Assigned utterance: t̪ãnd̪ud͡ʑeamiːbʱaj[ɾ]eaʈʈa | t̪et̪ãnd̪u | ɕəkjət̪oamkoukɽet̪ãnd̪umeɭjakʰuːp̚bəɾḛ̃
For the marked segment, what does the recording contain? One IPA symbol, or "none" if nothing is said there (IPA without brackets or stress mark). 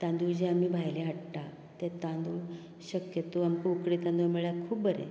l